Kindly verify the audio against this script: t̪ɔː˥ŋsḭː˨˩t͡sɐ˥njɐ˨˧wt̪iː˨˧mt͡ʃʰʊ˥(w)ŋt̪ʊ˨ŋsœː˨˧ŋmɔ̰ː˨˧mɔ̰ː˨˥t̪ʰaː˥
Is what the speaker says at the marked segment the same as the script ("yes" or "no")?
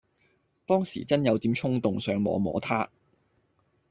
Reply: no